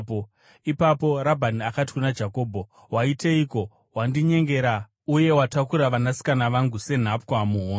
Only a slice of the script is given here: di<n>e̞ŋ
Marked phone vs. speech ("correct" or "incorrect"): incorrect